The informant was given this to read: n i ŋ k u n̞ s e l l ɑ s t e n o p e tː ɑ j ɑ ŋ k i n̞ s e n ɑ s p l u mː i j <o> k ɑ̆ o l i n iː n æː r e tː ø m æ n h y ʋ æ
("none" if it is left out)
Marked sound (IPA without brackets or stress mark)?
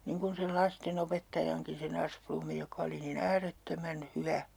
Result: o